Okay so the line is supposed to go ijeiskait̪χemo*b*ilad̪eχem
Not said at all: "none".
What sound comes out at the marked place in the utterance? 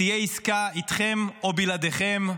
b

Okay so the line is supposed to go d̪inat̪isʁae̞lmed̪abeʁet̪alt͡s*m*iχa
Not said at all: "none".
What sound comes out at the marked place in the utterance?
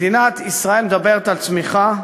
m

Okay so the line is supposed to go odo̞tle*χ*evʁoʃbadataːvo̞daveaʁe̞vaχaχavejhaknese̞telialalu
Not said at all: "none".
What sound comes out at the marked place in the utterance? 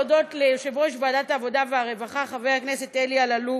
ʃ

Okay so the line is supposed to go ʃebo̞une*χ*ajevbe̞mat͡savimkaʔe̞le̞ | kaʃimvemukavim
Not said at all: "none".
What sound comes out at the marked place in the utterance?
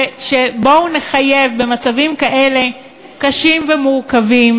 χ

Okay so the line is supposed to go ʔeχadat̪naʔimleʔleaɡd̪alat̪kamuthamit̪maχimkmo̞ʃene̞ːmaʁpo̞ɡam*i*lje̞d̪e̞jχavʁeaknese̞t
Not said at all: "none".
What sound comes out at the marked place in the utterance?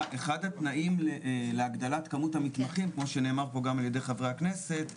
a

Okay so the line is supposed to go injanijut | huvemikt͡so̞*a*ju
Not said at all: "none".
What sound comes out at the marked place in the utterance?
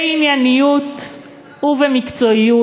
i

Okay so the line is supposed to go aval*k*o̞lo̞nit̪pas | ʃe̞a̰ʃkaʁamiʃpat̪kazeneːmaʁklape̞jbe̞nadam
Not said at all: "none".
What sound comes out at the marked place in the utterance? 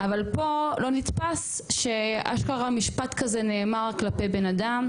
p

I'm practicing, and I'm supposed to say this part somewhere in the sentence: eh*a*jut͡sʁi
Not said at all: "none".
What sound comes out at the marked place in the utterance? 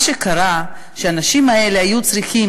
a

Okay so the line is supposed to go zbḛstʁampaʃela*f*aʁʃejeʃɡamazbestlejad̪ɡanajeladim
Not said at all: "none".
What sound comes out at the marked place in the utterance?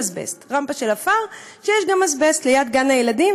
f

